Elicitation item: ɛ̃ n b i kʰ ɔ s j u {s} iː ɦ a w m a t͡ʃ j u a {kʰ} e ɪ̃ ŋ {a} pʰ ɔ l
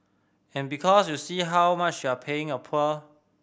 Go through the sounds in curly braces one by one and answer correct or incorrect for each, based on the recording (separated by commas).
correct, incorrect, incorrect